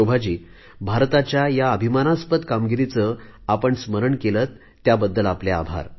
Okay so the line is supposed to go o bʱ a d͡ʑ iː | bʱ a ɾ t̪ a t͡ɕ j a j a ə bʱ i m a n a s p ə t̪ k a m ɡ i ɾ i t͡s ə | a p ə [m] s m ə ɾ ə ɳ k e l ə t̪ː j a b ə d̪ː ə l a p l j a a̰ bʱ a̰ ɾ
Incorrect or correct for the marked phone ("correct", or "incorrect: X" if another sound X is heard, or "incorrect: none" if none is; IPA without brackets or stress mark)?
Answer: incorrect: ɳ